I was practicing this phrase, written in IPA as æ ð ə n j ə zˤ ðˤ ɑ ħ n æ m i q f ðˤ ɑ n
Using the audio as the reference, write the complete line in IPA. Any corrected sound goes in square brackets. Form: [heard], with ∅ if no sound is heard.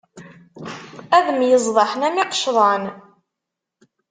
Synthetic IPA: æ ð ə [m] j ə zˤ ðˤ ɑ ħ n æ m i q [ʃ] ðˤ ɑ n